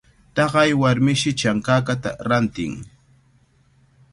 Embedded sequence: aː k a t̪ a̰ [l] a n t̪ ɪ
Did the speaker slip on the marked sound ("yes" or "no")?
yes